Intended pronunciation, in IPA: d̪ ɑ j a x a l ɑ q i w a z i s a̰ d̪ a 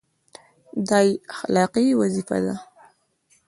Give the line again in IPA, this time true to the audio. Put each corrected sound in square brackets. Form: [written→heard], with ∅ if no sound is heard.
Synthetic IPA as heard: d̪ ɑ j a x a l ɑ q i w a z i [s→f] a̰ d̪ a

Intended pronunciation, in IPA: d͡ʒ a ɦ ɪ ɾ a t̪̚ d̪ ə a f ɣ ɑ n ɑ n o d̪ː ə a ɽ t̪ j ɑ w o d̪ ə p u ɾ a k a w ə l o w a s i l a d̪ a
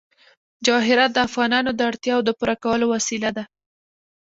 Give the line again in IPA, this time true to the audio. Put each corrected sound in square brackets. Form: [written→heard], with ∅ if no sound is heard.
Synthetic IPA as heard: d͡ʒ [a→ɑ] ɦ ɪ ɾ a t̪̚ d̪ ə a f ɣ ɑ n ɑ n o [d̪ː→d̪] ə a ɽ t̪ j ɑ w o d̪ ə p u ɾ a k a w ə l o w a s i l a d̪ a

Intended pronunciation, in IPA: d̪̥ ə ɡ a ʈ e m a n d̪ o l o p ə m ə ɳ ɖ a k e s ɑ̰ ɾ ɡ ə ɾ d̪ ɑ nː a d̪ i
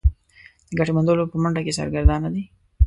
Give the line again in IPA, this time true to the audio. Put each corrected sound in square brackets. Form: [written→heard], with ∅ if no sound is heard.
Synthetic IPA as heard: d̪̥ ə ɡ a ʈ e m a n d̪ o l o p ə m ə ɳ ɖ a k e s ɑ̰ ɾ ɡ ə ɾ d̪ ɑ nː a d̪ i

